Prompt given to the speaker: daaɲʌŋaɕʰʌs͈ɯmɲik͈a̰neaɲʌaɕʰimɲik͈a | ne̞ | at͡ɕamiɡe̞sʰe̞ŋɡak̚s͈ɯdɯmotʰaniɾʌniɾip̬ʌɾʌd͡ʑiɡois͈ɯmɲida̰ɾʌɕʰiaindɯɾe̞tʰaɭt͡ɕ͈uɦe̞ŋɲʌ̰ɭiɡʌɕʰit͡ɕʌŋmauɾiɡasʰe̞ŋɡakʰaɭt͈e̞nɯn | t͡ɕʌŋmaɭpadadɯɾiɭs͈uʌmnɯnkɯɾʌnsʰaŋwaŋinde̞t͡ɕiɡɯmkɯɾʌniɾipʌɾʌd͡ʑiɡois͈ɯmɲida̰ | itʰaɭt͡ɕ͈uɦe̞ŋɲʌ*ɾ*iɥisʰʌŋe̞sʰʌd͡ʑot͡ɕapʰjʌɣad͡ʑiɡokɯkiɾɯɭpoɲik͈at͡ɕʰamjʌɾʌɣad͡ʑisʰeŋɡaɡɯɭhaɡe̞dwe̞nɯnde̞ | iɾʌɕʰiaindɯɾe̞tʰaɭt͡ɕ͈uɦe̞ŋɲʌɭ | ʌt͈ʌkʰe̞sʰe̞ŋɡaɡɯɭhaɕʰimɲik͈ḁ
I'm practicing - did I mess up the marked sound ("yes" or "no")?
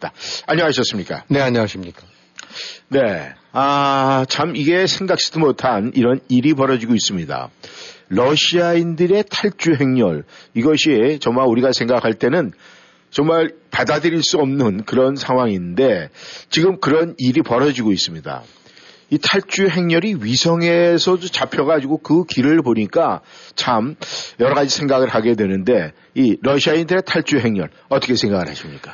no